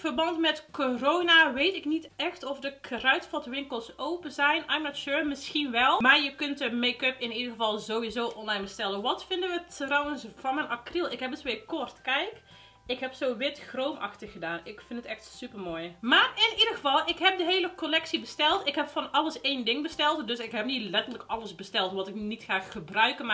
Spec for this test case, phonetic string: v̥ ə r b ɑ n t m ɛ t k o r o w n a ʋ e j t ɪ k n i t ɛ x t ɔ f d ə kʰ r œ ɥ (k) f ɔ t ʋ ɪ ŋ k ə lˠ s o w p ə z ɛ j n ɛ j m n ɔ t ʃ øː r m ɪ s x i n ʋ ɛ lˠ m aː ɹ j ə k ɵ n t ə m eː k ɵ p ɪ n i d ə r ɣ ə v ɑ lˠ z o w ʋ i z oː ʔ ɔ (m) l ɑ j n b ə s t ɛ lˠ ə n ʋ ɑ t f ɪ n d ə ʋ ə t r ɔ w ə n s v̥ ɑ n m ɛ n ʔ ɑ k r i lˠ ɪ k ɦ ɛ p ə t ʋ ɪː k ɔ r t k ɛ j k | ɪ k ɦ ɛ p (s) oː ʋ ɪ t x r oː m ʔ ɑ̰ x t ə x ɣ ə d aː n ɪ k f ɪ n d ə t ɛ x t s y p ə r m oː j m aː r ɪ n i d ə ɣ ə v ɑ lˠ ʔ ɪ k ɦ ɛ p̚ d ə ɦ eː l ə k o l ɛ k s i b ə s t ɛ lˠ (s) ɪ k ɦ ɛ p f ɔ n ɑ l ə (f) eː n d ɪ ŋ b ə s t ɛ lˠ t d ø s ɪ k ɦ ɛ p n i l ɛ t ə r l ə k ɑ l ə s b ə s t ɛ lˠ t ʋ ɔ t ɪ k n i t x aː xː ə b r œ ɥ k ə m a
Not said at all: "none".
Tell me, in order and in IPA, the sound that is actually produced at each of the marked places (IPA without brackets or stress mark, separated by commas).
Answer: t, n, s, t, s